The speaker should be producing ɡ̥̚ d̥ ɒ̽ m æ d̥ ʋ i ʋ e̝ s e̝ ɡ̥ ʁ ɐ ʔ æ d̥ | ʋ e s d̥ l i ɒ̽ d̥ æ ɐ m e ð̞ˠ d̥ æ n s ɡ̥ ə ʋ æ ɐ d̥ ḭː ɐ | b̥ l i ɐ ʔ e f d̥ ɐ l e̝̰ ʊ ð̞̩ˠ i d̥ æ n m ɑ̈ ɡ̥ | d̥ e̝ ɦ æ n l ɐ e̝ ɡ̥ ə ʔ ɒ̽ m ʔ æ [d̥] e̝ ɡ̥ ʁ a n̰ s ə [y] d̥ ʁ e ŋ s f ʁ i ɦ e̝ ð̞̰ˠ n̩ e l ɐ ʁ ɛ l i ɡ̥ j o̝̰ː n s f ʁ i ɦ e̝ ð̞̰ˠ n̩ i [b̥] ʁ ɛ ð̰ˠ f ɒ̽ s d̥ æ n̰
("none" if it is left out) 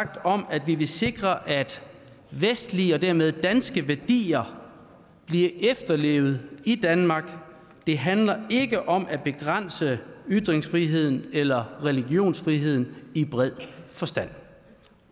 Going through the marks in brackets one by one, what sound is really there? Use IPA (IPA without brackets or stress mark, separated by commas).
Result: b̥, y, b̥